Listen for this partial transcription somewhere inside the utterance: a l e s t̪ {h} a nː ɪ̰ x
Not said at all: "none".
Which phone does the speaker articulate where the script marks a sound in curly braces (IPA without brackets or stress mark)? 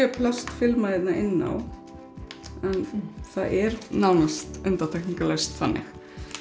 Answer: θ